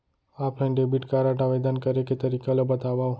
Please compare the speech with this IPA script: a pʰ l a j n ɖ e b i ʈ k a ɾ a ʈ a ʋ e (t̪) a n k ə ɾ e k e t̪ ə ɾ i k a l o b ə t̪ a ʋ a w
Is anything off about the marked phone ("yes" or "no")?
yes